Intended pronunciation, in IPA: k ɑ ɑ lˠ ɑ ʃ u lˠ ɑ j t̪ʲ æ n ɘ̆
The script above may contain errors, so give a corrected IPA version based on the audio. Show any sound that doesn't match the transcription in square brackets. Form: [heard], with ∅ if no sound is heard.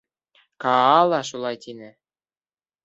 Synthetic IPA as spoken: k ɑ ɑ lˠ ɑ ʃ u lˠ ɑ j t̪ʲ [i] n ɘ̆